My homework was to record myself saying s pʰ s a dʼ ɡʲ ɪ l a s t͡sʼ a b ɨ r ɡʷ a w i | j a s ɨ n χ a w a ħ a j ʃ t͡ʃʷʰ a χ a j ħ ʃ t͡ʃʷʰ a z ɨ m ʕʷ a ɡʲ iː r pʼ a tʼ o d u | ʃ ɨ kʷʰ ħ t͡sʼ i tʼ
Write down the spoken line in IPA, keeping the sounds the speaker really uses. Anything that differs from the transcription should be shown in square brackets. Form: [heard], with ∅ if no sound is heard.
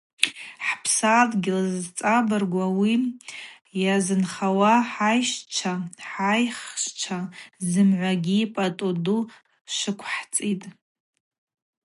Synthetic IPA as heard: [ħ] pʰ s a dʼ ɡʲ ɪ l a [z] t͡sʼ a b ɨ r ɡʷ a w i | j a [z] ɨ n χ a w a ħ a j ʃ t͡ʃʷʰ a [ħ] a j [χ] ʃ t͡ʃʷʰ a z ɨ m ʕʷ a ɡʲ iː [∅] pʼ a tʼ o d u | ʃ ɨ kʷʰ ħ t͡sʼ i tʼ